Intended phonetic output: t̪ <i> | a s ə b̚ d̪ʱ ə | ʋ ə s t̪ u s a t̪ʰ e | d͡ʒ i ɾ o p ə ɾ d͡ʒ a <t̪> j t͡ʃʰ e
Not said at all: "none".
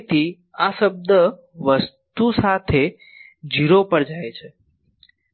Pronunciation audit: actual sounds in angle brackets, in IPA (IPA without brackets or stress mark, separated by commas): i, none